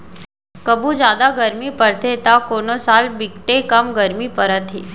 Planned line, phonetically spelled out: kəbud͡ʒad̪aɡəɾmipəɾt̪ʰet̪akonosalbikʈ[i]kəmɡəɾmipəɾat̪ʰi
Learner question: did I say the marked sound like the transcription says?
no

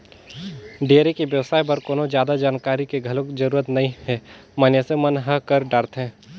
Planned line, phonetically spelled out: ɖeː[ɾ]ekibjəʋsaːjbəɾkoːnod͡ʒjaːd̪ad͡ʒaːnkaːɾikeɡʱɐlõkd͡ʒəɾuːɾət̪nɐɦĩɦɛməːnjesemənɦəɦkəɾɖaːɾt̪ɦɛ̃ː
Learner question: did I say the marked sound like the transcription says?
yes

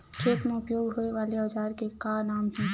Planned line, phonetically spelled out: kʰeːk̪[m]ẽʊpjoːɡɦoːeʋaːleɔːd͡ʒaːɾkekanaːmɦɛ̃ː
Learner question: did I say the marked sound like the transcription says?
yes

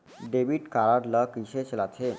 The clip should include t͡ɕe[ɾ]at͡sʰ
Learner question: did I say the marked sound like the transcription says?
no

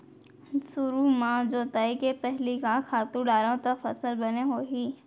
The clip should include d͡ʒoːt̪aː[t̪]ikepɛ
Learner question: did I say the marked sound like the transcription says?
no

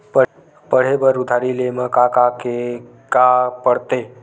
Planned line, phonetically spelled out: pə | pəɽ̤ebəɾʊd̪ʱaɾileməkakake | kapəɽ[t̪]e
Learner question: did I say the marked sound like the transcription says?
yes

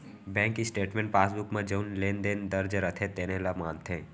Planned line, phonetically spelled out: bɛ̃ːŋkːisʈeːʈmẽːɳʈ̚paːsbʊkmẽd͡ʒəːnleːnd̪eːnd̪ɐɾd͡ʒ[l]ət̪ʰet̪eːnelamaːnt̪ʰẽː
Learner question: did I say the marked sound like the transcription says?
no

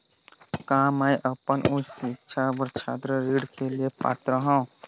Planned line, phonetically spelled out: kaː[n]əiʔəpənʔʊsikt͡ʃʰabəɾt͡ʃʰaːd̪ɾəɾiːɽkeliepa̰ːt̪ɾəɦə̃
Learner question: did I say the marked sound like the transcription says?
no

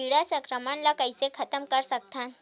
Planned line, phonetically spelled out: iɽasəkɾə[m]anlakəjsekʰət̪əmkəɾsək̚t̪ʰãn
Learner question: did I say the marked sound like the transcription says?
yes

